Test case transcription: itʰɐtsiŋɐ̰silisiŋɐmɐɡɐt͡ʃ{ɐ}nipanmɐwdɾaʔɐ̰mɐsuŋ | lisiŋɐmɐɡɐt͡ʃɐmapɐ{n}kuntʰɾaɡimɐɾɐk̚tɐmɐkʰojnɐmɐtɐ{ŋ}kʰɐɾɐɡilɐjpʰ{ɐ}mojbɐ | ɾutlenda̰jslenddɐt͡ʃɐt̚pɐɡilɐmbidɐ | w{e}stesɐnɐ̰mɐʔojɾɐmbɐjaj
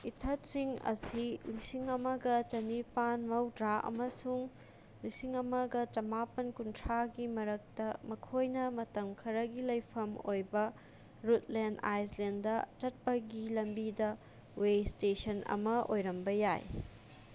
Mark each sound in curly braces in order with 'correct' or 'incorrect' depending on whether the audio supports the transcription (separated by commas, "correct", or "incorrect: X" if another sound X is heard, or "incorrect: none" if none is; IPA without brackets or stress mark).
correct, correct, incorrect: m, correct, correct